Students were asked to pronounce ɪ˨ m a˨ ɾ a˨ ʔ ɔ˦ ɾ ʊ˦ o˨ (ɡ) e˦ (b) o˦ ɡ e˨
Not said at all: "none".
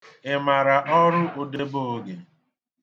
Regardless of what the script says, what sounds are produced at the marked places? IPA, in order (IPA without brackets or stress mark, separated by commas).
d, b